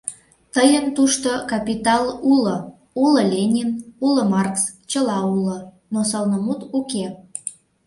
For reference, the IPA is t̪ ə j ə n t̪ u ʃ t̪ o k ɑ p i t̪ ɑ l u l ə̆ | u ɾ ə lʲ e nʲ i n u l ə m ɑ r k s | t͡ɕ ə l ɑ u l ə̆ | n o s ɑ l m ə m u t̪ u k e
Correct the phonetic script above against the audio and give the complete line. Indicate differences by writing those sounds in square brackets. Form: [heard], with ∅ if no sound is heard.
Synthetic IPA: t̪ ə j ə n t̪ u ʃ t̪ o k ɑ p i t̪ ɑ l u l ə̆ | u [l] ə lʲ e nʲ i n u l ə m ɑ r k s | t͡ɕ ə l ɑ u l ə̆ | n o s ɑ l [n] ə m u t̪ u k e